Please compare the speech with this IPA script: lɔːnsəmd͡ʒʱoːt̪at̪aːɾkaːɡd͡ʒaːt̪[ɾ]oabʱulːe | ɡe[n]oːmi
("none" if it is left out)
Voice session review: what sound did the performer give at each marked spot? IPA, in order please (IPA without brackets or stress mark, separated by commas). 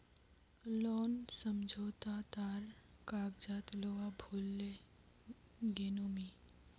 l, n